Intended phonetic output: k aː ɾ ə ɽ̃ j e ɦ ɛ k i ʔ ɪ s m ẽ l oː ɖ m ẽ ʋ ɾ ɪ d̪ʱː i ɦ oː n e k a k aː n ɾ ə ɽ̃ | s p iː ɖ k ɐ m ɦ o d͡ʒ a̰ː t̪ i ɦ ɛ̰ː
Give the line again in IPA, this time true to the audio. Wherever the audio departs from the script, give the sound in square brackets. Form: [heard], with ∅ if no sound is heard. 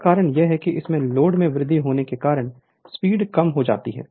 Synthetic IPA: k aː ɾ ə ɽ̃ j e ɦ ɛ k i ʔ ɪ s m ẽ l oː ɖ m ẽ ʋ ɾ ɪ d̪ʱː i ɦ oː n e k [e] k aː [∅] ɾ ə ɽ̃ | s p iː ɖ k ɐ m ɦ o d͡ʒ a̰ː t̪ i ɦ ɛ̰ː